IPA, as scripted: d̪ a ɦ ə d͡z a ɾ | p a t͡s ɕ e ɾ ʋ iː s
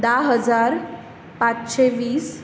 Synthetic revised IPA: d̪ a ɦ ə d͡z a ɾ | p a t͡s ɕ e ʋ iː s